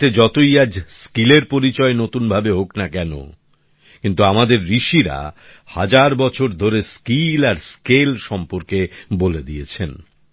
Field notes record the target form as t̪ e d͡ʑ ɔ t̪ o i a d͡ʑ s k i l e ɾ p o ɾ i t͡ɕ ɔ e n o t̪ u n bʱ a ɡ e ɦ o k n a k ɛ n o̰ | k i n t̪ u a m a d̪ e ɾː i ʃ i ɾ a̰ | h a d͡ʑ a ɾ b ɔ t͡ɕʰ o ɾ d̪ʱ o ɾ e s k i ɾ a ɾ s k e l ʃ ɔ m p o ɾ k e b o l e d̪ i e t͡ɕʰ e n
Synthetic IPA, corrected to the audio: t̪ e d͡ʑ ɔ t̪ o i a d͡ʑ s k i l e ɾ p o ɾ i t͡ɕ ɔ e n o t̪ u n bʱ a b e ɦ o k n a k ɛ n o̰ | k i n t̪ u a m a d̪ e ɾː i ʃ i ɾ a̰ | h a d͡ʑ a ɾ b ɔ t͡ɕʰ o ɾ d̪ʱ o ɾ e s k i l a ɾ s k e l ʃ ɔ m p o ɾ k e b o l e d̪ i e t͡ɕʰ e n